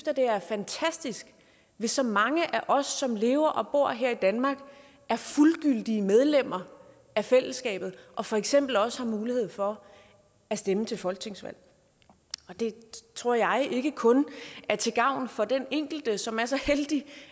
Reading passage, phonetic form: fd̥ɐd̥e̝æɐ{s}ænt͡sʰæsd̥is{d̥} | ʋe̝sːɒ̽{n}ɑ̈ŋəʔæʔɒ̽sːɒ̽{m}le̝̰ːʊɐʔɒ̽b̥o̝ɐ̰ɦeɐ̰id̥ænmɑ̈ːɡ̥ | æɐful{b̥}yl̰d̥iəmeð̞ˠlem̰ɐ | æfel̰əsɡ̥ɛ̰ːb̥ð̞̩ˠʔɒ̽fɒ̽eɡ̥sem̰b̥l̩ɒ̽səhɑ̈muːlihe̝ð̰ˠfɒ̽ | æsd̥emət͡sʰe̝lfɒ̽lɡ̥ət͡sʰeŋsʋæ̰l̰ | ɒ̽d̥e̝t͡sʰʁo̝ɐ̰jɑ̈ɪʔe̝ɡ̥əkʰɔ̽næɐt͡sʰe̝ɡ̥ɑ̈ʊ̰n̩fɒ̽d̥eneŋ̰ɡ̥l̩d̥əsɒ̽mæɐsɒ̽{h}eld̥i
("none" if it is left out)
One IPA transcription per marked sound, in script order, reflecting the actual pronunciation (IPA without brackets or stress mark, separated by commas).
f, ɡ̥, m, m, ɡ̥, h